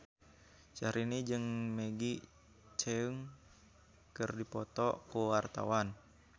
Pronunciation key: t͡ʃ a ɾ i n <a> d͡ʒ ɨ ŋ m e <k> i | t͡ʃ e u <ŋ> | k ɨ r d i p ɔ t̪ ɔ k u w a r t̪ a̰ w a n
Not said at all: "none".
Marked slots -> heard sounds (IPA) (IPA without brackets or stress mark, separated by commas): i, ɡ, ŋ